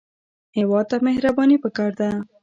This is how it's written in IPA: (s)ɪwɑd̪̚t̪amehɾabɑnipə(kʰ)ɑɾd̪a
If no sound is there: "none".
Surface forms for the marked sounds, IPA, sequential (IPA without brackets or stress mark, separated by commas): h, k